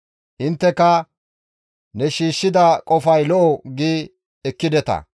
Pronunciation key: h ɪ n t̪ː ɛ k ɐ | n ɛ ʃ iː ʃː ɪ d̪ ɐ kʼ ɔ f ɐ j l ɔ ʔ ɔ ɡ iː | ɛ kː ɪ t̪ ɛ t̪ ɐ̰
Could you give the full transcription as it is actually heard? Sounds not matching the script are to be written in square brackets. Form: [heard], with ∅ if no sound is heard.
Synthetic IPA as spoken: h ɪ n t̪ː ɛ k ɐ | n ɛ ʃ iː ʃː ɪ d̪ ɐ kʼ ɔ f ɐ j l ɔ ʔ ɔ ɡ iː | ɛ kː ɪ [d̪] ɛ t̪ ɐ̰